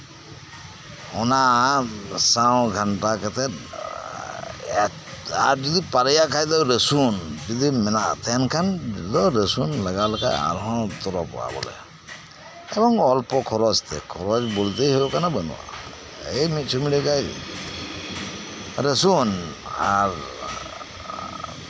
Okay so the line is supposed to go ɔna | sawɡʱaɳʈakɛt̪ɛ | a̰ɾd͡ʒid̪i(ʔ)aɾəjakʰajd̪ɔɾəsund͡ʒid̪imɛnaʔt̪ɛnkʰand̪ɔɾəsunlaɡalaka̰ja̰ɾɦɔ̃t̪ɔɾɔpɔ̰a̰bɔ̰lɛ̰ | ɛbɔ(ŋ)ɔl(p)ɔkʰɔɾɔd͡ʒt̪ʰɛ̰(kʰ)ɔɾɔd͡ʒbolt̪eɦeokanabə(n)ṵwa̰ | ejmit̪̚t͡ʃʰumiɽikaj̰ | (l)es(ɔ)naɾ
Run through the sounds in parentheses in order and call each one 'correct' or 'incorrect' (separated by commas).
incorrect, correct, correct, correct, correct, incorrect, incorrect